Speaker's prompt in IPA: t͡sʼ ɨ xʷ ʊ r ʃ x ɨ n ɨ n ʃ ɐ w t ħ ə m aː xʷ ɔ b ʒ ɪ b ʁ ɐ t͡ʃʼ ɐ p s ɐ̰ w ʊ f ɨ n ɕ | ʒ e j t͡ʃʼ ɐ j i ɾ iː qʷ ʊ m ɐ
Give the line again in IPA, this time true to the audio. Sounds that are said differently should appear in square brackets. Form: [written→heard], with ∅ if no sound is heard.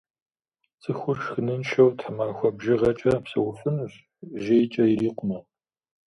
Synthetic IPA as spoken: t͡sʼ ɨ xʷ ʊ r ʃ x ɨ n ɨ n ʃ ɐ w t ħ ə m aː xʷ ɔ b ʒ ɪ [b→∅] ʁ ɐ t͡ʃʼ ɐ p s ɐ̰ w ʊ f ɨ n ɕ | ʒ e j t͡ʃʼ ɐ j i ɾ iː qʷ ʊ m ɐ

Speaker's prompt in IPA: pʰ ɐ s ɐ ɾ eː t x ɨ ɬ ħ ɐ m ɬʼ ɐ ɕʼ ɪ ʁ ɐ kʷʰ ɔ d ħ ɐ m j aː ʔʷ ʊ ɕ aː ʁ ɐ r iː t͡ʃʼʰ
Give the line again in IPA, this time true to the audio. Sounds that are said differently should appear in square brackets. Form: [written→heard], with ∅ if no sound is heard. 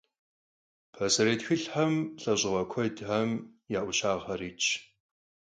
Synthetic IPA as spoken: pʰ ɐ s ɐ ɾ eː t x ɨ ɬ ħ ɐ m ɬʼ ɐ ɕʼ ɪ ʁ ɐ kʷʰ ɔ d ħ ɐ m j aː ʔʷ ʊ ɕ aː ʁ ɐ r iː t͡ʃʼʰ

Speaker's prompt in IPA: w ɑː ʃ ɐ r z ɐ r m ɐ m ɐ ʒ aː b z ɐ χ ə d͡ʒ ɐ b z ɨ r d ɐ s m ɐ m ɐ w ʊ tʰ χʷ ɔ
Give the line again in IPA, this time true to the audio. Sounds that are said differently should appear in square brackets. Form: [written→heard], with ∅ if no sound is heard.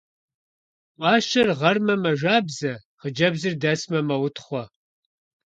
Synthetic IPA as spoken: w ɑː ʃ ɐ r [z→ʁ] ɐ r m ɐ m ɐ ʒ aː b z ɐ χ ə d͡ʒ ɐ b z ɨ r d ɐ s m ɐ m ɐ w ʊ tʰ χʷ ɔ

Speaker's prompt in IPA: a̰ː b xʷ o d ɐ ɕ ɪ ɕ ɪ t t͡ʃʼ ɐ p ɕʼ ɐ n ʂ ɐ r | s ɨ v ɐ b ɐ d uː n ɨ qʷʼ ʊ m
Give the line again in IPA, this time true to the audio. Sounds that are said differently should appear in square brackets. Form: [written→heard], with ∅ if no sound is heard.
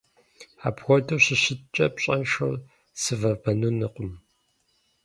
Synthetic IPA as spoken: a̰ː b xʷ [o→ɔ] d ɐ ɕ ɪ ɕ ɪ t t͡ʃʼ ɐ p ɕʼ ɐ n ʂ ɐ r | s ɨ v ɐ b ɐ [d→n] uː n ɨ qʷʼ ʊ m

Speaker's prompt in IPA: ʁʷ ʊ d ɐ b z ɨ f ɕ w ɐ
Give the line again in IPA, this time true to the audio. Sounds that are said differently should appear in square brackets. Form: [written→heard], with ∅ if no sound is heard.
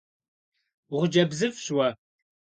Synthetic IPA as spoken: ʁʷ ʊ [d→d͡ʒ] ɐ b z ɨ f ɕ w ɐ

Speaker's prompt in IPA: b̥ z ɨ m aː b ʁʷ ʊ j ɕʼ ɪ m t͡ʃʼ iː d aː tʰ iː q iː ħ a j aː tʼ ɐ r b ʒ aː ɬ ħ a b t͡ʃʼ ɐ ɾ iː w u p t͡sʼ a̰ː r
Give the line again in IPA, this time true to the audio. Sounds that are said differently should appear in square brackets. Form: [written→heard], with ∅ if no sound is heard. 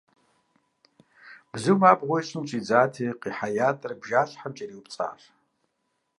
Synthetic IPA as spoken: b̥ z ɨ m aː b ʁʷ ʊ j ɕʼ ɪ m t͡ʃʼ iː [d→d͡z] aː tʰ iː q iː ħ a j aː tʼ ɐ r b ʒ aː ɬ ħ a [b→m] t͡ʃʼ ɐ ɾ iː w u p t͡sʼ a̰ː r

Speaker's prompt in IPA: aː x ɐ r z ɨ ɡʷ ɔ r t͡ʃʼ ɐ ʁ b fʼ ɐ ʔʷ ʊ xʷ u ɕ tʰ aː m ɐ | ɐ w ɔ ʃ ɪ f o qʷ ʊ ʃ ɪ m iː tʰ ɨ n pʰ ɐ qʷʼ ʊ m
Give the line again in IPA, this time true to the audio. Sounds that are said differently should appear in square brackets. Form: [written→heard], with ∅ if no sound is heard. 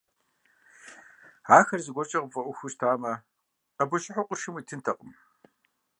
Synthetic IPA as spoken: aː x ɐ r z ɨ ɡʷ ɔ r t͡ʃʼ ɐ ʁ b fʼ ɐ ʔʷ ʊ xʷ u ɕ tʰ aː m ɐ | ɐ [w→b] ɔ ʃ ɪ [f→ħ] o qʷ ʊ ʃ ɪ m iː tʰ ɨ n [pʰ→tʰ] ɐ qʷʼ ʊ m

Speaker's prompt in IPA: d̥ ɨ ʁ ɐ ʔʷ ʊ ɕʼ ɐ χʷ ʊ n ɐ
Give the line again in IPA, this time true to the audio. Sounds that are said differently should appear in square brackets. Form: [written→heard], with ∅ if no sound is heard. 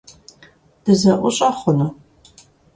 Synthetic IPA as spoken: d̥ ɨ [ʁ→z] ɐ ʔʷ ʊ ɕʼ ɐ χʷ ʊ n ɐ

